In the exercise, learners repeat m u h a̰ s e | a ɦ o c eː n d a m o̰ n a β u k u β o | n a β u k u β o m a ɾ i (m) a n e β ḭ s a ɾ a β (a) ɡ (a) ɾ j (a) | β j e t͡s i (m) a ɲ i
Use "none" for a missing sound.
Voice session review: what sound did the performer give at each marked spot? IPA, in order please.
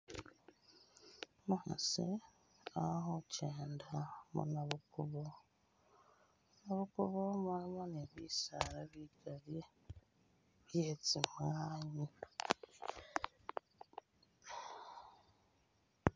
m, i, a, e, m

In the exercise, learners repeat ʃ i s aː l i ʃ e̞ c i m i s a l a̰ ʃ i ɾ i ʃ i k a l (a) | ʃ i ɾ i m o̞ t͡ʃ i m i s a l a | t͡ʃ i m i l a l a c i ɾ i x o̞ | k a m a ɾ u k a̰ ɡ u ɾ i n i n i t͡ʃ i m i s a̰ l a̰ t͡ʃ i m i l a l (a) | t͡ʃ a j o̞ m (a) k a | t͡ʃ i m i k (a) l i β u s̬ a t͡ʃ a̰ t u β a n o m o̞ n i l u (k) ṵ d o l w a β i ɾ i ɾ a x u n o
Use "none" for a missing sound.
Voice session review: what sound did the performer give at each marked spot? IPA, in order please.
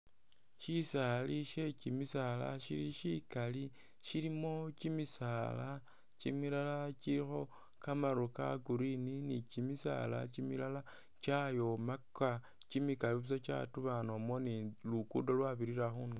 i, a, a, a, k

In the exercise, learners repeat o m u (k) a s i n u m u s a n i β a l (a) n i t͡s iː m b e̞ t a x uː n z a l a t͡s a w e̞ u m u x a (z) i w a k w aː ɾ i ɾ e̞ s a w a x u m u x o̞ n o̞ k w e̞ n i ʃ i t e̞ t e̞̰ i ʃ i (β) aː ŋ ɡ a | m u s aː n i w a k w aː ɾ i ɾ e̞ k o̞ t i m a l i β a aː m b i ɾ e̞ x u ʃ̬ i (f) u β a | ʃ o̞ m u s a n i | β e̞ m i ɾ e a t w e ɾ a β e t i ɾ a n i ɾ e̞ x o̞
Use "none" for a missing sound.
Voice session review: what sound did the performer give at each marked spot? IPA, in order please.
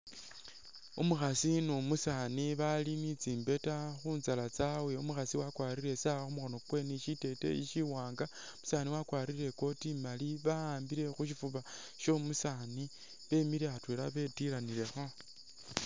x, i, s, w, f

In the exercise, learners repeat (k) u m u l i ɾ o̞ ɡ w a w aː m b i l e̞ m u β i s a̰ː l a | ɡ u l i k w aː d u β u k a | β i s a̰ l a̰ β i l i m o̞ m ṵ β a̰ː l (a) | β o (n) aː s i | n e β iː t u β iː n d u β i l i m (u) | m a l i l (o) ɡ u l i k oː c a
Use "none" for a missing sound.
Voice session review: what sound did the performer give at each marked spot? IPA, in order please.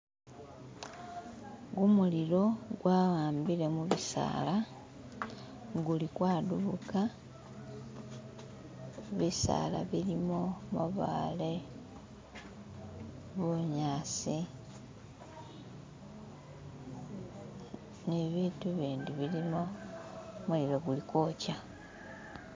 ɡ, e, ɲ, o, o

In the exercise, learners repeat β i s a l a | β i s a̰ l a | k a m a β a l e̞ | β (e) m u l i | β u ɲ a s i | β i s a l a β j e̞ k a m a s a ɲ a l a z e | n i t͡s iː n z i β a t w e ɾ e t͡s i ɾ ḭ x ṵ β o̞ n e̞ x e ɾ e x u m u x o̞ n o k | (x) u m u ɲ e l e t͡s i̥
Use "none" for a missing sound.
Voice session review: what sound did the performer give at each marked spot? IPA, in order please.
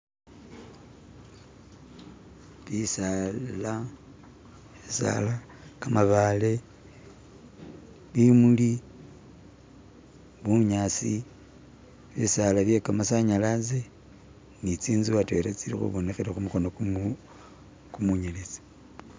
i, k

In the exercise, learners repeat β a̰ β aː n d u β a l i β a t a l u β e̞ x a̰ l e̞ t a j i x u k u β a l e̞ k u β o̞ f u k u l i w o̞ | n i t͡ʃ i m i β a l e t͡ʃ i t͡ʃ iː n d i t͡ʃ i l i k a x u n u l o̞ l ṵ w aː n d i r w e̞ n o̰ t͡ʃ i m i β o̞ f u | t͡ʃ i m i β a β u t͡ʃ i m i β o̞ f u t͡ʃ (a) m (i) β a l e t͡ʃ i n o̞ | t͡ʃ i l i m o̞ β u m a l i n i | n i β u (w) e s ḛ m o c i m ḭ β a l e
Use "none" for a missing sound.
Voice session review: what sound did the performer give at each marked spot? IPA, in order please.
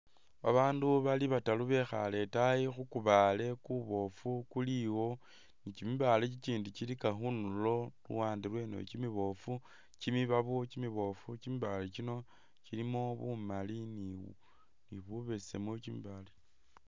i, i, β

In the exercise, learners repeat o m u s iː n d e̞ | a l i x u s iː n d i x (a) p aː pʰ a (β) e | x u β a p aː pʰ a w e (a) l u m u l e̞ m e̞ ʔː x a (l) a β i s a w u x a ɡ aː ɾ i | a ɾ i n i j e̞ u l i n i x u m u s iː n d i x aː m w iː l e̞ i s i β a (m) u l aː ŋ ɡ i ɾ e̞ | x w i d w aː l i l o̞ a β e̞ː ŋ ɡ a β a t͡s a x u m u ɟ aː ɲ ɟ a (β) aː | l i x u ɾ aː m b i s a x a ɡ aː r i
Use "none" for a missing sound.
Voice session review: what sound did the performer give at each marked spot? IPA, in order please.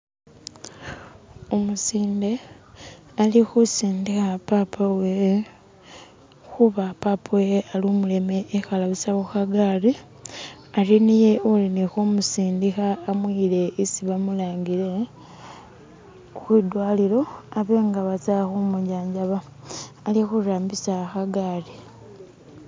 a, w, a, l, m, β

